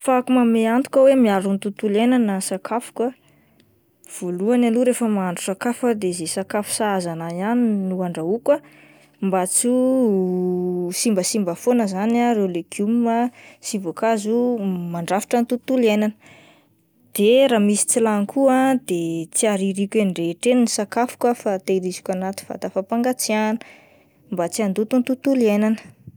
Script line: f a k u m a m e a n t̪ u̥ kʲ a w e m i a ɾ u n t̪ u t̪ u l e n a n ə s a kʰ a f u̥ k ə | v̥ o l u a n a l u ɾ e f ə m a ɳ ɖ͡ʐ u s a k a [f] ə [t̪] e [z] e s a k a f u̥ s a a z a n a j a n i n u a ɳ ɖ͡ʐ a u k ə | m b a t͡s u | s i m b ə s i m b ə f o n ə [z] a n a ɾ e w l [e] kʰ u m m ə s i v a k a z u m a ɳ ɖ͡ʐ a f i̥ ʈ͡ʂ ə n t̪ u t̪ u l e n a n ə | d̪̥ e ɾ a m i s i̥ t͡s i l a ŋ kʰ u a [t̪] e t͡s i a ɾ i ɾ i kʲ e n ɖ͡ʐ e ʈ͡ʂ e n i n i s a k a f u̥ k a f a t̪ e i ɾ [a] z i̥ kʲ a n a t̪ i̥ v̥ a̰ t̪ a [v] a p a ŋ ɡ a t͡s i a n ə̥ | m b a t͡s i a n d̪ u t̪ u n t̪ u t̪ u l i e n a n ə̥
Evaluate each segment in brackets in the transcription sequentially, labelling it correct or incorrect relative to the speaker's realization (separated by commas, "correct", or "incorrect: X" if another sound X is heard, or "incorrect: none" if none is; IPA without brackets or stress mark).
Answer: correct, incorrect: d̪, correct, correct, correct, incorrect: d̪, incorrect: i, incorrect: f